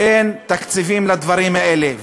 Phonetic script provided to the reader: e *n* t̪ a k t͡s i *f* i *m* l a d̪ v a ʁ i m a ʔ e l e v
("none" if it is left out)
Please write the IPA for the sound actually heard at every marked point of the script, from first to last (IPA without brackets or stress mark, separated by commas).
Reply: n, v, m